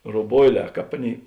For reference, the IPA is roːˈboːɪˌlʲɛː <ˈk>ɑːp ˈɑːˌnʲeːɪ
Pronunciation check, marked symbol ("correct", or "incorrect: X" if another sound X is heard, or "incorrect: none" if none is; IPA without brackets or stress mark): correct